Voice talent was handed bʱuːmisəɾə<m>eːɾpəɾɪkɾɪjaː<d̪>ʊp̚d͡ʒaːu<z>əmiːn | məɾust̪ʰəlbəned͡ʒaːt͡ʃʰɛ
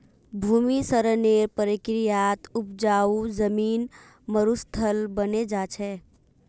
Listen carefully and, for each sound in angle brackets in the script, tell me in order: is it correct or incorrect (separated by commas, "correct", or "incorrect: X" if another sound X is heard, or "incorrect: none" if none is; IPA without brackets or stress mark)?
incorrect: n, incorrect: t̪, correct